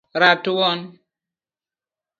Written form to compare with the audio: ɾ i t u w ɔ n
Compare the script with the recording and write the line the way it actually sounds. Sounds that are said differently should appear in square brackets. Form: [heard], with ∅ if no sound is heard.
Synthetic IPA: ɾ [a] t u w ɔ n